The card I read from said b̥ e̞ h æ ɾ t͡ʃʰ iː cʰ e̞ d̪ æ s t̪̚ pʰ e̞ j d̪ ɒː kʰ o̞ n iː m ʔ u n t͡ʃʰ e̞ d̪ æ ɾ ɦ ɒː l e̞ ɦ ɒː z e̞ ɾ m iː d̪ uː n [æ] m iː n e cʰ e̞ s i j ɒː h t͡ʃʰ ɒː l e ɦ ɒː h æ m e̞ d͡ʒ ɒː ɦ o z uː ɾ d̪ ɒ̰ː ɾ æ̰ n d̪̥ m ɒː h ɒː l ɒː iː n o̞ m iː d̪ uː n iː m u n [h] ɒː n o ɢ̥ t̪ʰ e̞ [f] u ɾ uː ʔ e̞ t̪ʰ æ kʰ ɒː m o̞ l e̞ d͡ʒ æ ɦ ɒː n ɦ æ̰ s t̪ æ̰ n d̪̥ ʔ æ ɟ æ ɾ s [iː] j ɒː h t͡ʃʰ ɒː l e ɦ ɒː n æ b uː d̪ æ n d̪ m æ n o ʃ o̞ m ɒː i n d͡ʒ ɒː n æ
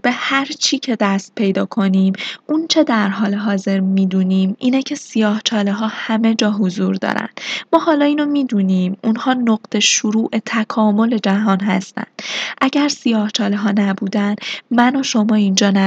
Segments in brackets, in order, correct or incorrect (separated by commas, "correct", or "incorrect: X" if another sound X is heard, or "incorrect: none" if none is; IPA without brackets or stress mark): incorrect: i, correct, incorrect: ʃ, incorrect: i